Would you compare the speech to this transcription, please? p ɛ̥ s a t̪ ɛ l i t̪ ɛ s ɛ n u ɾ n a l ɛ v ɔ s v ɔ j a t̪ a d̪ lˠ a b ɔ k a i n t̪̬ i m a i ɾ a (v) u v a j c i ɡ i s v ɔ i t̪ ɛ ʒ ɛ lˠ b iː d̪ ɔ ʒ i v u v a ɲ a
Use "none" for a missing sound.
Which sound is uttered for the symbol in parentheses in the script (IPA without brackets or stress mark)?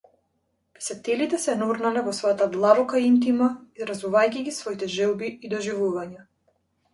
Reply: z